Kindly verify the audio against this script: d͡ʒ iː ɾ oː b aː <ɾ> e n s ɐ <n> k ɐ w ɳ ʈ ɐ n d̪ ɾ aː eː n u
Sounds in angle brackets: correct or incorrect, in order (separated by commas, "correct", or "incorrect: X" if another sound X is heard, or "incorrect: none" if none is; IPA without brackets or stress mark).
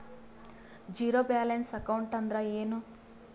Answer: incorrect: l, incorrect: none